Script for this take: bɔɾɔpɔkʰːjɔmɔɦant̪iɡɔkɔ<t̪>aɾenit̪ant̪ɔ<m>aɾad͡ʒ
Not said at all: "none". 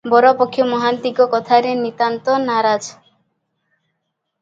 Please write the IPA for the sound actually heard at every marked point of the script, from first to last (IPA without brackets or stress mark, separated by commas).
t̪ʰ, n